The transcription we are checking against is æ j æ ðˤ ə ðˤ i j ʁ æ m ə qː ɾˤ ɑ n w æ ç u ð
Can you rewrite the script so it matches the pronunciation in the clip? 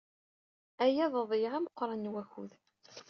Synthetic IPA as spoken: æ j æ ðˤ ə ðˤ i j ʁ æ m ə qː ɾˤ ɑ n w æ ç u ð